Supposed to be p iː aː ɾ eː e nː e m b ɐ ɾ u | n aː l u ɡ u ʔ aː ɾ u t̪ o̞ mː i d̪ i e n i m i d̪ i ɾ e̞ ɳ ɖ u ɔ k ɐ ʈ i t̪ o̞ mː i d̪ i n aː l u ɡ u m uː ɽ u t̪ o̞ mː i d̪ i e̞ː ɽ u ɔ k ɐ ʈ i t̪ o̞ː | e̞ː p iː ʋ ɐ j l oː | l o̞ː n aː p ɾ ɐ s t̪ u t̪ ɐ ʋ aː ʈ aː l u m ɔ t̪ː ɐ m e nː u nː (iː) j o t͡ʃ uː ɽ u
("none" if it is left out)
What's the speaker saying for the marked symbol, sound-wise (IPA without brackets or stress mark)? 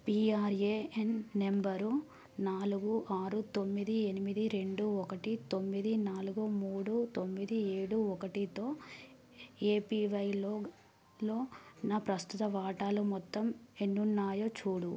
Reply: aː